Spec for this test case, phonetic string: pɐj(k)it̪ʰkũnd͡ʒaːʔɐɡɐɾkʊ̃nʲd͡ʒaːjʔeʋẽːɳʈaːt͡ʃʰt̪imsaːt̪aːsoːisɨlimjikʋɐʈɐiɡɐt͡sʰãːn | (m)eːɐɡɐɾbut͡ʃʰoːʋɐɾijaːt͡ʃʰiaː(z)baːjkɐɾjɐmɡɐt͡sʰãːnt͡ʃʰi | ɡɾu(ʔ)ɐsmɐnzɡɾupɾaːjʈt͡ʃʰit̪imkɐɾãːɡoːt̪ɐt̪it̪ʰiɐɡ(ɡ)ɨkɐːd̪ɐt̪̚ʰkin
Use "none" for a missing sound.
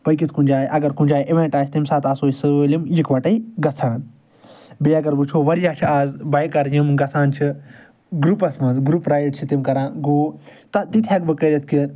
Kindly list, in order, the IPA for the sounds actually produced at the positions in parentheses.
k, b, z, p, b

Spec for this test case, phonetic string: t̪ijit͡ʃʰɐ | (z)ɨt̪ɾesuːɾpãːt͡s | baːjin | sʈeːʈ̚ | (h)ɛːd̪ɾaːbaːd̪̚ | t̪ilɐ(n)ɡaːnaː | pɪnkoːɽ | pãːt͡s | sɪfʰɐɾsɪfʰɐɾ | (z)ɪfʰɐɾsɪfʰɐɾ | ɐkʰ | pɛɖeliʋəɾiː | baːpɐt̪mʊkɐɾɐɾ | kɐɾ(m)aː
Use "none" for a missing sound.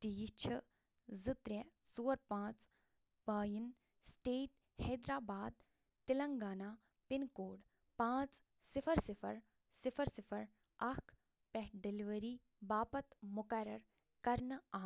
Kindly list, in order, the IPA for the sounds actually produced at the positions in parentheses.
z, h, ŋ, s, n

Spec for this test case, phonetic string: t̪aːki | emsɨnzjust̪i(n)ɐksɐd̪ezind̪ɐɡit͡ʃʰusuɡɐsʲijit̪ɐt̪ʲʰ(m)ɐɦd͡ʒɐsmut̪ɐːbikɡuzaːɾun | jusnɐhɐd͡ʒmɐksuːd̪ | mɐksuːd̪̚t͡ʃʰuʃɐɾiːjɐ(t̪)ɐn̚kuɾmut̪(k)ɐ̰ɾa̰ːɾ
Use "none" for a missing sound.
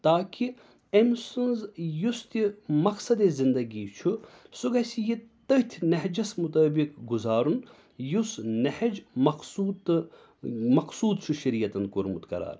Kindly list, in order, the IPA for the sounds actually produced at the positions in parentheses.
m, n, t̪, k

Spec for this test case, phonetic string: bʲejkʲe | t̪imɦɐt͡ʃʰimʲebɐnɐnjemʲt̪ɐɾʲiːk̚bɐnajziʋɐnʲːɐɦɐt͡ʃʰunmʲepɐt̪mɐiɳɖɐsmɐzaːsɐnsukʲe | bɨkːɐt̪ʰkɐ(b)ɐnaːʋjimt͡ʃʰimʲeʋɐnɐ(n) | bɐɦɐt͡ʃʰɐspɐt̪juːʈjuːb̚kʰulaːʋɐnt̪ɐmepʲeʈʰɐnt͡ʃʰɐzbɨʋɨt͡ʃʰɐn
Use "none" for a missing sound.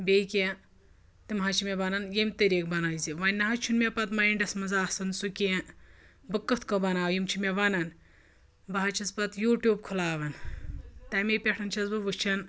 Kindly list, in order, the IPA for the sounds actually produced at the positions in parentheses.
b, n

